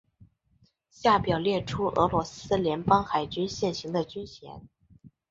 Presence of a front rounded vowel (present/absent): present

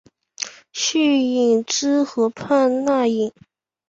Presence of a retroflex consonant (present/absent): present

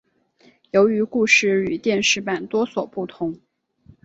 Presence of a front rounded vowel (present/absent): present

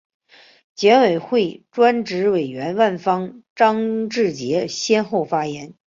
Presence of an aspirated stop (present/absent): absent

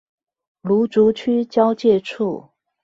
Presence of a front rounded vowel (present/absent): present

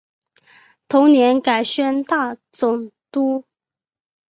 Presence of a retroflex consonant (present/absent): absent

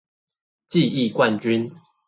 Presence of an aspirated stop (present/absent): absent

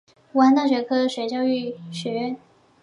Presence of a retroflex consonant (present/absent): absent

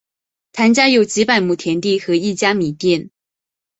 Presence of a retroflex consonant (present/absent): absent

